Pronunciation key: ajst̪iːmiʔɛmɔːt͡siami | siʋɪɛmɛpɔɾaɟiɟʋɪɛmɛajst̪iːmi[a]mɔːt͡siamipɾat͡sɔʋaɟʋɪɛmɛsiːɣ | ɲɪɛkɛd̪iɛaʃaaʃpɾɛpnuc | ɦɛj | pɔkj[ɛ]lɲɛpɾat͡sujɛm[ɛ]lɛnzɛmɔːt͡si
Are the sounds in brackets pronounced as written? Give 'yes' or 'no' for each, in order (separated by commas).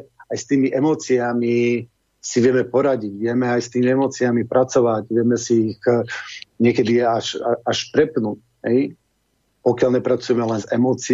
no, no, yes